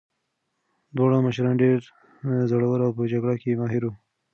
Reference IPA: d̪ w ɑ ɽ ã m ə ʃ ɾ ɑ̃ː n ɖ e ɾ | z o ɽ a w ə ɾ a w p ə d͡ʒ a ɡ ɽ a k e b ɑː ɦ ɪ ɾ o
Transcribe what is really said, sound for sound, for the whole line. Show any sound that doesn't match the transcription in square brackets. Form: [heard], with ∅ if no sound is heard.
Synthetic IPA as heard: d̪ w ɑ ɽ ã m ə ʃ ɾ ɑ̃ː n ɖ e ɾ | z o ɽ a w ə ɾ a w p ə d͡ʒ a ɡ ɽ a k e [m] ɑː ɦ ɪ ɾ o